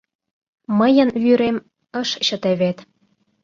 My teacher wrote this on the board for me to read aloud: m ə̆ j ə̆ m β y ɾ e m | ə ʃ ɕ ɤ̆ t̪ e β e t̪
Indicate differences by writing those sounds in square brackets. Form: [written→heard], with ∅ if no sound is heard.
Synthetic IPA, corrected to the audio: m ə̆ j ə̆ [m→n] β y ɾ e m | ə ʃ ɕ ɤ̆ t̪ e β e t̪